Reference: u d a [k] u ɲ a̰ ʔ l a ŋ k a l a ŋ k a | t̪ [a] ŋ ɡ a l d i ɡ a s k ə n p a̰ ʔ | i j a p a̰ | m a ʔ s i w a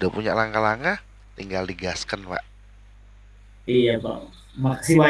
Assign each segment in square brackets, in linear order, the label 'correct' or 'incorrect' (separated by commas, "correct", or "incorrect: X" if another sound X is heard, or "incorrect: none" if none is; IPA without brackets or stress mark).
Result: incorrect: p, incorrect: i